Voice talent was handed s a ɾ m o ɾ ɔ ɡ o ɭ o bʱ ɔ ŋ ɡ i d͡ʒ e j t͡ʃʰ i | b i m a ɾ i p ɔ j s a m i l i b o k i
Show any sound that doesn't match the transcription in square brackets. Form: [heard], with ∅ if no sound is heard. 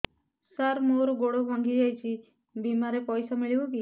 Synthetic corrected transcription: s a ɾ m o ɾ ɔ ɡ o [ɽ] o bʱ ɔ ŋ ɡ i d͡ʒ [a] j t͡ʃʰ i | b i m a ɾ [e] p ɔ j s a m i [ɭ] i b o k i